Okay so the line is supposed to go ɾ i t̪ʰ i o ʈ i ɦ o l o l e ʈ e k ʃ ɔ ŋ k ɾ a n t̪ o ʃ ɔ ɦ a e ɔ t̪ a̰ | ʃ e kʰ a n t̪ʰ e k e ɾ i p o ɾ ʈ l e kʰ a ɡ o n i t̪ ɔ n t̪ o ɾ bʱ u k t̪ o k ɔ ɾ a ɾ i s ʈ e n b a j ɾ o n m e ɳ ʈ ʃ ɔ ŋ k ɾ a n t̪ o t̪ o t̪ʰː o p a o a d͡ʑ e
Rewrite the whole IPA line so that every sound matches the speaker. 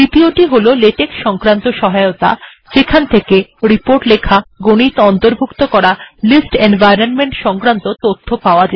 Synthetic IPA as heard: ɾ i t̪ i o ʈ i ɦ o l o l e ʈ e k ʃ ɔ ŋ k ɾ a n t̪ o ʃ ɔ ɦ a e o t̪ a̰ | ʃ e kʰ a n t̪ʰ e k e ɾ i p o ɾ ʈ l e kʰ a ɡ o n i t̪ ɔ n t̪ o ɾ bʱ u k t̪ o k ɔ ɾ a l i s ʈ e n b a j ɾ o n m e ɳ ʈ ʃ ɔ ŋ k ɾ a n t̪ o t̪ o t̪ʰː o p a o a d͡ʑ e